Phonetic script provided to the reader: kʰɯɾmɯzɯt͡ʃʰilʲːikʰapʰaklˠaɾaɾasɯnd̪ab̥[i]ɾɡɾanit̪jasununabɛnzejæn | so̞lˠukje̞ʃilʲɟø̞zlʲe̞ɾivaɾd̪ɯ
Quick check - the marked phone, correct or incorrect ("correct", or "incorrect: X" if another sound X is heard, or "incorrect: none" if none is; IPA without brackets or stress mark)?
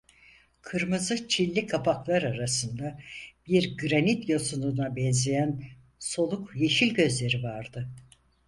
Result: correct